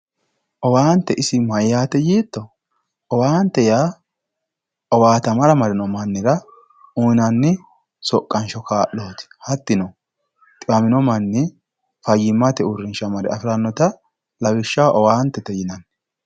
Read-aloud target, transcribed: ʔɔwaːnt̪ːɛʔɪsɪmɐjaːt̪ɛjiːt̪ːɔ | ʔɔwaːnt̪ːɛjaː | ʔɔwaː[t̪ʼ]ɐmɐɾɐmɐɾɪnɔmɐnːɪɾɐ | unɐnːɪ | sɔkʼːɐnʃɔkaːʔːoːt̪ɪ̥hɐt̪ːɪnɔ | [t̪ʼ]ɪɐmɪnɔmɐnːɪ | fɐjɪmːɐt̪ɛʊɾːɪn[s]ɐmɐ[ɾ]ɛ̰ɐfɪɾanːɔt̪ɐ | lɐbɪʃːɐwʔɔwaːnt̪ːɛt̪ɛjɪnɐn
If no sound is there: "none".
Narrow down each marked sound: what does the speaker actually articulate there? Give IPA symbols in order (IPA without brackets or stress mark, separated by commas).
t̪, t̪ʼ, ʃ, ɾ